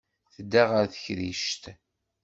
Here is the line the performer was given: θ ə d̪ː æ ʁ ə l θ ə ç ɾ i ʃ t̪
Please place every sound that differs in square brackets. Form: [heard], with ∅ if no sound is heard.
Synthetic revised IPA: θ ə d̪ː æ ʁ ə [ɾ] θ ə ç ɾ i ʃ t̪